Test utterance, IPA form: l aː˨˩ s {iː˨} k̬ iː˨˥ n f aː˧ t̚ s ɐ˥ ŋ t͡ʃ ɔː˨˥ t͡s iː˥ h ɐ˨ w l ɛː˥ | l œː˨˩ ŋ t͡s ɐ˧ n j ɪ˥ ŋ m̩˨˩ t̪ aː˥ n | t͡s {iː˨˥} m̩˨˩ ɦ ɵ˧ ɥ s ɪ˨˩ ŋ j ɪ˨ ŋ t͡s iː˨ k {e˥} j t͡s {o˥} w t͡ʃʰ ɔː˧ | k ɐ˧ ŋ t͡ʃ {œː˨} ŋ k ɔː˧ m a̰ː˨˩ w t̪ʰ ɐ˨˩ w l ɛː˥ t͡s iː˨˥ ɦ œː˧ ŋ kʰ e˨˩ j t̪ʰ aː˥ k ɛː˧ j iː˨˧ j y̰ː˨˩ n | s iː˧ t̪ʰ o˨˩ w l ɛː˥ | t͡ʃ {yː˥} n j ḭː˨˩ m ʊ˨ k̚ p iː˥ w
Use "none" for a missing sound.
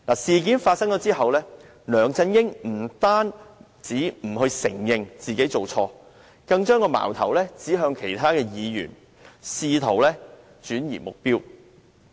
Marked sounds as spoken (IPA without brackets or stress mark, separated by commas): iː˨, iː˨˥, e˨˥, o˨, œː˥, yː˨˥